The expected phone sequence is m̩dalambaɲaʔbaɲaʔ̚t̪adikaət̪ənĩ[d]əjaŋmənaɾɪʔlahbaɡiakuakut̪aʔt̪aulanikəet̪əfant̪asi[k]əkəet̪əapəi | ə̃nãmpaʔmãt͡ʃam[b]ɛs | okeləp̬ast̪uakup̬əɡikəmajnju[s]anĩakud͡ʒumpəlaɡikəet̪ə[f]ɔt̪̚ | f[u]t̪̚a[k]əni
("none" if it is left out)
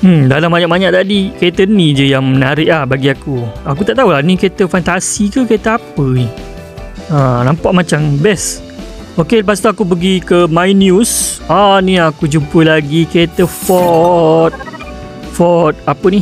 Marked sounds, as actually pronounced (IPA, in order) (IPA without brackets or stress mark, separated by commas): d͡ʒ, k, b, s, f, ɔ, p